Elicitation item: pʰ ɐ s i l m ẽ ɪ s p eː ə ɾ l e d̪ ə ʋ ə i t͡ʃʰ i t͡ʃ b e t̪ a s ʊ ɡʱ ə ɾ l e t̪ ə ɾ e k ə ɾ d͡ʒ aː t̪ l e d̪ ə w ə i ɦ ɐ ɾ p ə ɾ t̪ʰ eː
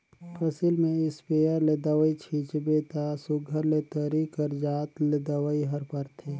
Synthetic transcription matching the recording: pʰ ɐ s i l m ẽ ɪ s p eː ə ɾ l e d̪ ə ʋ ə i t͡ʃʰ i t͡ʃ b e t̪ a s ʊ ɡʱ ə ɾ l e t̪ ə ɾ i k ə ɾ d͡ʒ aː t̪ l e d̪ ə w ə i ɦ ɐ ɾ p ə ɾ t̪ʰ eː